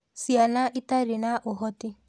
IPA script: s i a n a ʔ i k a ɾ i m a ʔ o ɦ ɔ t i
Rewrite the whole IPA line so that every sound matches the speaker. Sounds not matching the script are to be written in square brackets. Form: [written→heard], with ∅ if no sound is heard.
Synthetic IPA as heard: s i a n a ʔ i [k→t] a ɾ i [m→n] a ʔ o ɦ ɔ t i

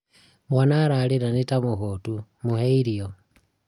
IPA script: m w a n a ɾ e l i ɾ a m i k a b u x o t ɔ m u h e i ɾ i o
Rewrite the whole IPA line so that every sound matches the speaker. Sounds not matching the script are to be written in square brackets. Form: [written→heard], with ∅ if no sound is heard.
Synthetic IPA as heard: m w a n a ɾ [e→a] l i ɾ a [m→n] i [k→t] a [b→m] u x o t [ɔ→u] m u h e i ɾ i o

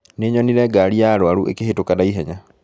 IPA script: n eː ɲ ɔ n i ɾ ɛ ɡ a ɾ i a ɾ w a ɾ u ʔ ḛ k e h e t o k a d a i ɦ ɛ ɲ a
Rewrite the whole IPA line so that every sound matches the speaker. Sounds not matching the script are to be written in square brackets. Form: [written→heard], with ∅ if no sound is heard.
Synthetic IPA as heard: n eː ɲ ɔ n i ɾ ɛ ɡ a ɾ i a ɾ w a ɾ u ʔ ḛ k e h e t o k a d a i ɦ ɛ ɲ a

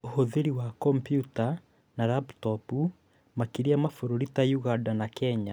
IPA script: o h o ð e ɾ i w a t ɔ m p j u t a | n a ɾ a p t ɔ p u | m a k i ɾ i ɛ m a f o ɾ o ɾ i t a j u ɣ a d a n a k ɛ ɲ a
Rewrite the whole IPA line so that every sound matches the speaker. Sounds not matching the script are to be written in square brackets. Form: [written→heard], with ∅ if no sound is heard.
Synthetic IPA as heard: o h o ð e ɾ i w a [t→k] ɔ m p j u t a | n a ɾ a p t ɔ p u | m a k i ɾ i [ɛ→a] m a f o ɾ o ɾ i t a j u ɣ a d a n a k ɛ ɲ a

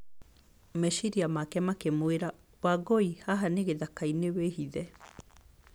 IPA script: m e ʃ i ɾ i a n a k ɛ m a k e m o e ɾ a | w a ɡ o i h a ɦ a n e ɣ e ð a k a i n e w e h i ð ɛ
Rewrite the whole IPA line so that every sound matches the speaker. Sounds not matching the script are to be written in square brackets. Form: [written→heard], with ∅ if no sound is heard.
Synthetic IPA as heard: m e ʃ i ɾ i a [n→m] a k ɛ m a k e m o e ɾ a | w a ɡ o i h a ɦ a n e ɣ e ð a k a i n e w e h i ð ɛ

